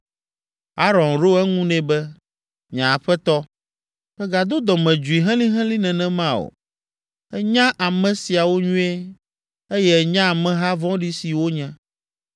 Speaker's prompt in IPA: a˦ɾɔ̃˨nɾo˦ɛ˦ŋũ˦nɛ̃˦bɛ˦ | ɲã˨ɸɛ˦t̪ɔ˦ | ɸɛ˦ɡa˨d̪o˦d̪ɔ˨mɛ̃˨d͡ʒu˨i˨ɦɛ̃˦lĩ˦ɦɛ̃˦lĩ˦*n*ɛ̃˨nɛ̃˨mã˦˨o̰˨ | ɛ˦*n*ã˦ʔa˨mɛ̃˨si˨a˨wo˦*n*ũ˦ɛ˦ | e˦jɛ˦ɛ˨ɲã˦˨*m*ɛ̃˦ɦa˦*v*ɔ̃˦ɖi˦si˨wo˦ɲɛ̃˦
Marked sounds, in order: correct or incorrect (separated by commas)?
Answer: correct, incorrect, incorrect, correct, correct